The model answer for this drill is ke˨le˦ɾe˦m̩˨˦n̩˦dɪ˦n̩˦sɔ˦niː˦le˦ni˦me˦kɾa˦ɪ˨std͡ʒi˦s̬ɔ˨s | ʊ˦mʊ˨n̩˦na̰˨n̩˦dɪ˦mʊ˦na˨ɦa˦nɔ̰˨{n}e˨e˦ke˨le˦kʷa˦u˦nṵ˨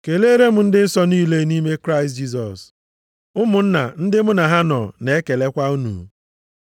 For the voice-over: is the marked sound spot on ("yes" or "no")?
yes